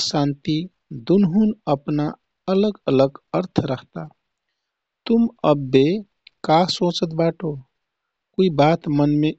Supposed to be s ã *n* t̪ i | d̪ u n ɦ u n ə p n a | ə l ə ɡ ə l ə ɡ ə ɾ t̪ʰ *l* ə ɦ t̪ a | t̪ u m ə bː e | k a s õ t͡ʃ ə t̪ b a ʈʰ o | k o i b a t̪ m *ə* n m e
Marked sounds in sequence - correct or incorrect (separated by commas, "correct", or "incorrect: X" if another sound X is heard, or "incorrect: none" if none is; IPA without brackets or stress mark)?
correct, incorrect: ɾ, correct